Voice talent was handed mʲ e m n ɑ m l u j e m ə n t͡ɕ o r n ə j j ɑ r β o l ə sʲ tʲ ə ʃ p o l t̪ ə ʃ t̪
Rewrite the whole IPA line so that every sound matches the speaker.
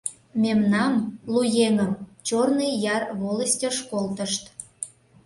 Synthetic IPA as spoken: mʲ e m n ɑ m l u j e ŋ ə m t͡ɕ o r n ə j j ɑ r β o l ə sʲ tʲ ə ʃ k o l t̪ ə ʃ t̪